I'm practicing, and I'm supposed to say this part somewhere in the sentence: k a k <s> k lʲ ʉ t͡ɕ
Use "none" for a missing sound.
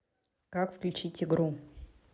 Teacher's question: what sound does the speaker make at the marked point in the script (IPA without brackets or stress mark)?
f